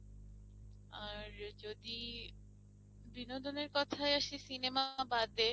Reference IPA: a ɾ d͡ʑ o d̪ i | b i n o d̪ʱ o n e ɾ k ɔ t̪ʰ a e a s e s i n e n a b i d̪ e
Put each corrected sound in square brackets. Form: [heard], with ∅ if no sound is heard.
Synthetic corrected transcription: a ɾ d͡ʑ o d̪ i | b i n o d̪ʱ o n e ɾ k ɔ t̪ʰ a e a [ʃ] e s i n e [m] a b [a] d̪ e